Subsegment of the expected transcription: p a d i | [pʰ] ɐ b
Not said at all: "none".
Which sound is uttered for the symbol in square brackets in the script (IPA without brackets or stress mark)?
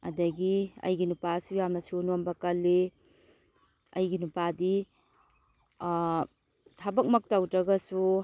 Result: tʰ